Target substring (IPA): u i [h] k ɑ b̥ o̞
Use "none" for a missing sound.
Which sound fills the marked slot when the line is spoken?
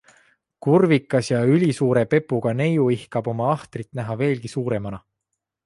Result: h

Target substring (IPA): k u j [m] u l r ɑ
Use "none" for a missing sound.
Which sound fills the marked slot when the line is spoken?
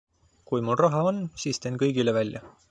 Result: m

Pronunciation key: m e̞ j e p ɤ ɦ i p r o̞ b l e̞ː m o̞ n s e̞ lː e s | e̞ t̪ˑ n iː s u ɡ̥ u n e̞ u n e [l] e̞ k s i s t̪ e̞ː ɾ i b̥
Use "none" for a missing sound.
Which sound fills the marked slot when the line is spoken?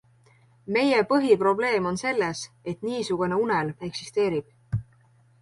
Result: l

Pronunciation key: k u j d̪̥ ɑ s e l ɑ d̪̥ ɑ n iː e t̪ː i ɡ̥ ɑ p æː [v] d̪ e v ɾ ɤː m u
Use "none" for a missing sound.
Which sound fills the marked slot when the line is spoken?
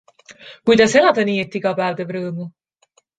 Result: v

